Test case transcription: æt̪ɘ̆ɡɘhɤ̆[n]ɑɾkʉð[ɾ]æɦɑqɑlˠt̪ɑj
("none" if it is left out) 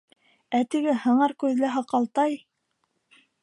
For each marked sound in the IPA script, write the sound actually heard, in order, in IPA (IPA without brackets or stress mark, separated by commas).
ɴ, l